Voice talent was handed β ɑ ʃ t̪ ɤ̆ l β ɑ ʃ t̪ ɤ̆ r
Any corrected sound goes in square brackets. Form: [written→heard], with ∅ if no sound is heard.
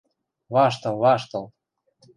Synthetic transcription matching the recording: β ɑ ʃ t̪ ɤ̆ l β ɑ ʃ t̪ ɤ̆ [r→l]